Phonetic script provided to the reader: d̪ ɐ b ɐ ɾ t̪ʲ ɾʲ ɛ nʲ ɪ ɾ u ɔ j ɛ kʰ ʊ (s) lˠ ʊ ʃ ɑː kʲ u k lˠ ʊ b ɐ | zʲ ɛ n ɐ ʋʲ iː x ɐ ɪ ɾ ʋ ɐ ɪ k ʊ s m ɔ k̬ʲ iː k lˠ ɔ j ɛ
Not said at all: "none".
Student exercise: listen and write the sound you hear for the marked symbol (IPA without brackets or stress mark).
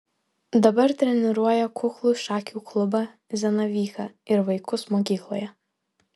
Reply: x